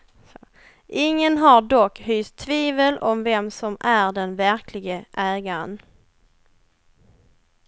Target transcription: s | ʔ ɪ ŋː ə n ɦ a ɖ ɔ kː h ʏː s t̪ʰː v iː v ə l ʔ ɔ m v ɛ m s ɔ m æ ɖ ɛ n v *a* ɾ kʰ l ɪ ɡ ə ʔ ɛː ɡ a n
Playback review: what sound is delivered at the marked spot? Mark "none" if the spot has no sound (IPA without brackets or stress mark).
æ